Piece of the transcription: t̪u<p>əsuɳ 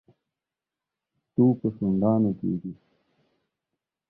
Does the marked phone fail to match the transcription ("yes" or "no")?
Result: no